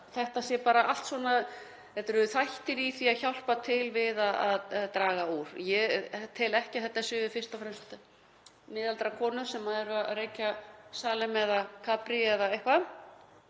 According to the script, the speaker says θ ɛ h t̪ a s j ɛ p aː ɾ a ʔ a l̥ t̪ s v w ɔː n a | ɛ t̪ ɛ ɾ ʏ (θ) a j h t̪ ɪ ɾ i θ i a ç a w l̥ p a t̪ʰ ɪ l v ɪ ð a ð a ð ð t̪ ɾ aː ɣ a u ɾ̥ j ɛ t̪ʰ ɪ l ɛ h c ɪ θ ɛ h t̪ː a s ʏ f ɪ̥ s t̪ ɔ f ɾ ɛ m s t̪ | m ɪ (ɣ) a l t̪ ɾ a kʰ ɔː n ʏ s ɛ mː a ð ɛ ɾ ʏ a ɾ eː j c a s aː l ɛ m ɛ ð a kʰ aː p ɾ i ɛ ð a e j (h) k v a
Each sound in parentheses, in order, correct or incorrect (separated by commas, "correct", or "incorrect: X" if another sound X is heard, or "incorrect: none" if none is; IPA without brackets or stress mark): correct, incorrect: ð, correct